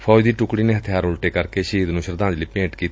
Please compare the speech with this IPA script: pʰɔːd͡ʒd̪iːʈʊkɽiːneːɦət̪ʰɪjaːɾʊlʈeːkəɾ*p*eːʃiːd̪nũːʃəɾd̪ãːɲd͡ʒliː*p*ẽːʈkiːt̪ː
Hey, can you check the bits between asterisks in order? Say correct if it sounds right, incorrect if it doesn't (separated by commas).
incorrect, correct